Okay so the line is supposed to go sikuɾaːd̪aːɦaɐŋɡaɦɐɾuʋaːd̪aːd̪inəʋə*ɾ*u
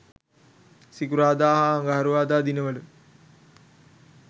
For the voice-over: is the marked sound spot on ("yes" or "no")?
no